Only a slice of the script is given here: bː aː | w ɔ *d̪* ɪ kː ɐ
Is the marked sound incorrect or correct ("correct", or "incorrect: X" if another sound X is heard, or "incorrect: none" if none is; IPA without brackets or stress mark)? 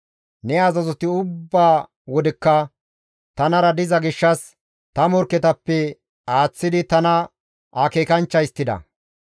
correct